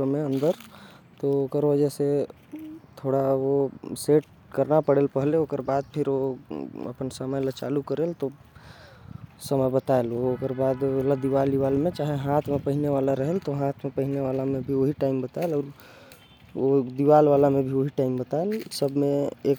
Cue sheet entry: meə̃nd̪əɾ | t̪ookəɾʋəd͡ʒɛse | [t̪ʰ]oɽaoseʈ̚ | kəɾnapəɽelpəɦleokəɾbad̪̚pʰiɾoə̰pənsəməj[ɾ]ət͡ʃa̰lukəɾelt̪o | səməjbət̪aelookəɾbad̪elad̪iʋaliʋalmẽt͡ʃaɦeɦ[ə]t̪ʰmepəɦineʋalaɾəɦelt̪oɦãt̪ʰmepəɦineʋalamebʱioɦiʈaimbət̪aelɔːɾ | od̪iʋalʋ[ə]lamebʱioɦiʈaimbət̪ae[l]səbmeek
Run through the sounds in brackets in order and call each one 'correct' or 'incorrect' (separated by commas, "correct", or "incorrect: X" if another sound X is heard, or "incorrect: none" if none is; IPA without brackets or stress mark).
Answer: correct, incorrect: l, incorrect: a, incorrect: a, correct